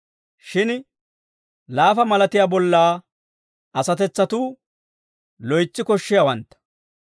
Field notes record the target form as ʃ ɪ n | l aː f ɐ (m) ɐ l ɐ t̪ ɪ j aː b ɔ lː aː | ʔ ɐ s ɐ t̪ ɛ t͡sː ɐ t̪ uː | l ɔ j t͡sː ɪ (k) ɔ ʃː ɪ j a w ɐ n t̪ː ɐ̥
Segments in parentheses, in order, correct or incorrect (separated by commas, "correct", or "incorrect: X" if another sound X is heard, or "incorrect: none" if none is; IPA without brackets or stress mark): correct, correct